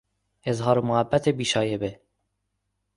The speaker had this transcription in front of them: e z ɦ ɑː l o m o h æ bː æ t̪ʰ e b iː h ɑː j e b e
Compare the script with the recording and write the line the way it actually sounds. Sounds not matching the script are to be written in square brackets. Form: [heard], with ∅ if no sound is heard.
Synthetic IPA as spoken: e z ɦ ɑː [ɾ] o m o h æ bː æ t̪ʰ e b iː [ʃ] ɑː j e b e